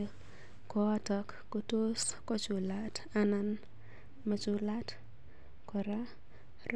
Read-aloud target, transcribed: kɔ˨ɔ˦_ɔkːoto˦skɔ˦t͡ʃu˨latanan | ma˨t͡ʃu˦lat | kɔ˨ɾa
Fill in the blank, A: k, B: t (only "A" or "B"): B